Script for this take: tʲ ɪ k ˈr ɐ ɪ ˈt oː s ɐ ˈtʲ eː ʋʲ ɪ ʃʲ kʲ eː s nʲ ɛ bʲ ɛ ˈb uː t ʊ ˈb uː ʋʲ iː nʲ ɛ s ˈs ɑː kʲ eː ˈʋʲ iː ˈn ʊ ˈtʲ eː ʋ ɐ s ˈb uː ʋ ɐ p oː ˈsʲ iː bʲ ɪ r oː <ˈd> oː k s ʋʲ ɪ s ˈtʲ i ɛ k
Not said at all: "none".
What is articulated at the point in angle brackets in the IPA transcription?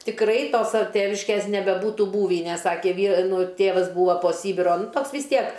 t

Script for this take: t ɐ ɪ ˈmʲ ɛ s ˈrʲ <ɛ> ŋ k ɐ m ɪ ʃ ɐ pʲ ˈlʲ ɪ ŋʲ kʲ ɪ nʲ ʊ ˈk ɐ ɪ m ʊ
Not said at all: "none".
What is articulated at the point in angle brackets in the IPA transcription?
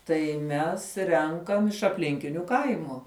ɛ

